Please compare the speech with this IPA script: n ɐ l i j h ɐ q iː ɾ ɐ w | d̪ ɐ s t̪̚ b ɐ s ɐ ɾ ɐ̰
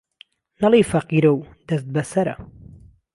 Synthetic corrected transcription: n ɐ l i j f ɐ q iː ɾ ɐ w | d̪ ɐ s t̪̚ b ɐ s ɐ ɾ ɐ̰